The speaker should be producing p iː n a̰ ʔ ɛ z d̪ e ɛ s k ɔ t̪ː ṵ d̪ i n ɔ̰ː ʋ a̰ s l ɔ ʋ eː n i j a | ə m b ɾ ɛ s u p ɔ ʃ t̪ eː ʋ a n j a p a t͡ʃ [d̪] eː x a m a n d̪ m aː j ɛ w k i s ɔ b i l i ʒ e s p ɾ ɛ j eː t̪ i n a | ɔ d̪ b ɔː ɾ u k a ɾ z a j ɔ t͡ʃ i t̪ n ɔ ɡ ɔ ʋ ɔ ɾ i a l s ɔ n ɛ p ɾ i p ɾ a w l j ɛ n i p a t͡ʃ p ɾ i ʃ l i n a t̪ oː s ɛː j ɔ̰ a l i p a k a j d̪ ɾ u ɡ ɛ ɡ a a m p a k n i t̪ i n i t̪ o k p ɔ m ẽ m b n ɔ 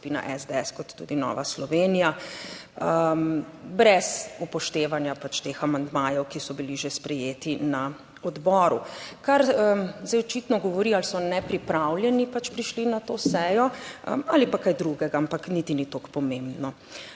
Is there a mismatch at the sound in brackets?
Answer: yes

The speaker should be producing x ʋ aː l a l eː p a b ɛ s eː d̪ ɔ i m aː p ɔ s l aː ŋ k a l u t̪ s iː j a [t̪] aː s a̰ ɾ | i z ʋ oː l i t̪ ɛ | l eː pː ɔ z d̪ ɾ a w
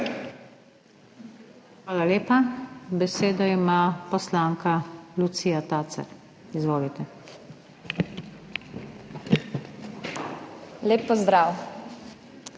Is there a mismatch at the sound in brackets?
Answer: no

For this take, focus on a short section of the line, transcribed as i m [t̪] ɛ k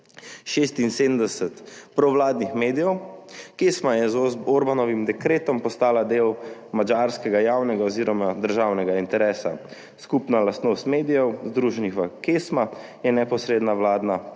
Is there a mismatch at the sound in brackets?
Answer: yes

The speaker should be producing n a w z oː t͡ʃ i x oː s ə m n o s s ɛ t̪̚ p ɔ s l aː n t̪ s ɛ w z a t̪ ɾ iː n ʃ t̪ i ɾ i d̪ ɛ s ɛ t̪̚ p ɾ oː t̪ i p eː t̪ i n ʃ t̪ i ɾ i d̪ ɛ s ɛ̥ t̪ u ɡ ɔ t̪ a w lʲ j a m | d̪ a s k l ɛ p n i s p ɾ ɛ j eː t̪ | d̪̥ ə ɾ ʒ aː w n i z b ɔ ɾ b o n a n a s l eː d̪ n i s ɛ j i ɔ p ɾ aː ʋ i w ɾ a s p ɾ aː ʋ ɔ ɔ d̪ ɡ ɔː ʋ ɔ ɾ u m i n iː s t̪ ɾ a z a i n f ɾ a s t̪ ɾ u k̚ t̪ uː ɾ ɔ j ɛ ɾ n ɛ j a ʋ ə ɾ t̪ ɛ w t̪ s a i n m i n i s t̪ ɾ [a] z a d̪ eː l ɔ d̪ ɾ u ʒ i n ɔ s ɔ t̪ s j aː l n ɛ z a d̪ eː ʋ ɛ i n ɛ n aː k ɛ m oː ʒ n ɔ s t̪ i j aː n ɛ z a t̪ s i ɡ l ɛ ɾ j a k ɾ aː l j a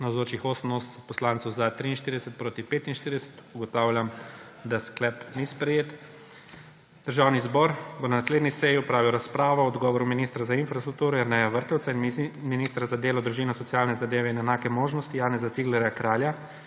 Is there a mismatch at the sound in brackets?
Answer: no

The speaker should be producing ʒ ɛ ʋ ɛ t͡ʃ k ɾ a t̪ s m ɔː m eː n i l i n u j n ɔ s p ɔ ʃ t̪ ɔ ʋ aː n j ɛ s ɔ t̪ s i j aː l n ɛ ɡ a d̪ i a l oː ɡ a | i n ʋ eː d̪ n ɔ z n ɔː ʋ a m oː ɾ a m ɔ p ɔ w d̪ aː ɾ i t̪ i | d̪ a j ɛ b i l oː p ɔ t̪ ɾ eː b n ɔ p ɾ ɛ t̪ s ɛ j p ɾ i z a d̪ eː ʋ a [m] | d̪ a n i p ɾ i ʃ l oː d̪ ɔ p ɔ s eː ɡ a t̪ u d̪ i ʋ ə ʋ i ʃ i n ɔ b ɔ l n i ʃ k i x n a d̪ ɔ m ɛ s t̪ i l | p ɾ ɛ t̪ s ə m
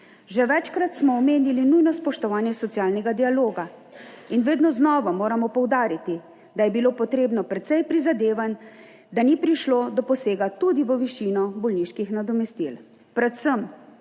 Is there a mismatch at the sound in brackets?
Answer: yes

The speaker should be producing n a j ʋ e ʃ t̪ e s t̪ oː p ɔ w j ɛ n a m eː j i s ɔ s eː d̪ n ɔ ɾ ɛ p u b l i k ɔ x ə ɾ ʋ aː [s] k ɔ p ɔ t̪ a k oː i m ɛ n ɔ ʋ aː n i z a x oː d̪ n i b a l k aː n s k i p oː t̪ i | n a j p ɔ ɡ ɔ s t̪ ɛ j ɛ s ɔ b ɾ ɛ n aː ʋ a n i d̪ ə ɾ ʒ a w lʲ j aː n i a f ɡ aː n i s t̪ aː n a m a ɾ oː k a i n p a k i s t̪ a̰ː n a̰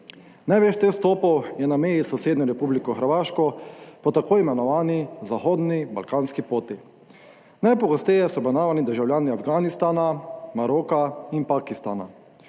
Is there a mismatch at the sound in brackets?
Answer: yes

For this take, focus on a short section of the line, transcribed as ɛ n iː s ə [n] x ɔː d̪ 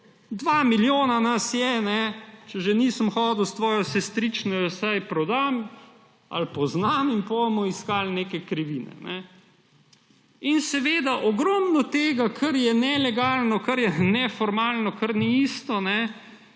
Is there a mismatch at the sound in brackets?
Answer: yes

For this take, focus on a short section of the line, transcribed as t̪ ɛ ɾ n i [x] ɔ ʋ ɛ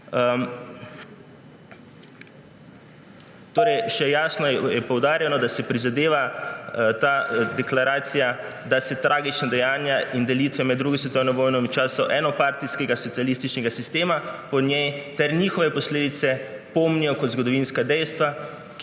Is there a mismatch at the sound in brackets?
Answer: no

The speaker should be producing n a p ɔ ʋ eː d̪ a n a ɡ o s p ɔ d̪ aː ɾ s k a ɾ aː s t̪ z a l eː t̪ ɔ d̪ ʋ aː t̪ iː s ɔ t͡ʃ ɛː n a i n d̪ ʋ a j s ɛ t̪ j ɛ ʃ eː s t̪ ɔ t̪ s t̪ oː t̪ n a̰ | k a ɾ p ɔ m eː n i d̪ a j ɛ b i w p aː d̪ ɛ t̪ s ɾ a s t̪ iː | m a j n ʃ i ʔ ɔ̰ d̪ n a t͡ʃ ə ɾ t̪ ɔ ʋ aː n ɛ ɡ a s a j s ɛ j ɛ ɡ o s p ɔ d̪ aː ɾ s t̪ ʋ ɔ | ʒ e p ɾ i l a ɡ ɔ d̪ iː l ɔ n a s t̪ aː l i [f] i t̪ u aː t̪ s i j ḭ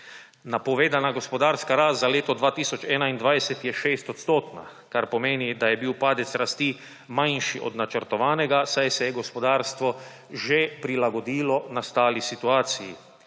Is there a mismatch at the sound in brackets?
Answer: yes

